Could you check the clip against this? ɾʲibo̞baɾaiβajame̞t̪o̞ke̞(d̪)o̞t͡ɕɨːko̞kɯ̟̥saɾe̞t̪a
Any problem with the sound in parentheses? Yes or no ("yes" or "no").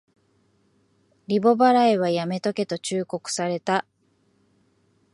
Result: yes